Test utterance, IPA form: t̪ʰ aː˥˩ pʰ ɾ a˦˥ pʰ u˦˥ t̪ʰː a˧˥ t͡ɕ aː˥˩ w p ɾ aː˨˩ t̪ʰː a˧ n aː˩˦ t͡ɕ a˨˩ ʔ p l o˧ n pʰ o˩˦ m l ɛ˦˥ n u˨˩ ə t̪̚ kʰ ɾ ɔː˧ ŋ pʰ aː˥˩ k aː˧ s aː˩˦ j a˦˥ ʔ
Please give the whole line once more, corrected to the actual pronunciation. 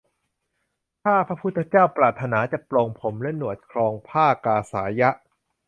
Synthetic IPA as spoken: t̪ʰ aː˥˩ pʰ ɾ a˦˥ pʰ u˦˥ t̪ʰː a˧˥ t͡ɕ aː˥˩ w p ɾ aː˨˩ t̪ʰː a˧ n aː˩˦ t͡ɕ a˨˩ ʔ p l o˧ ŋ pʰ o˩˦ m l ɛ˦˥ n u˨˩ ə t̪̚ kʰ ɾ ɔː˧ ŋ pʰ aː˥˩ k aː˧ s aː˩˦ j a˦˥ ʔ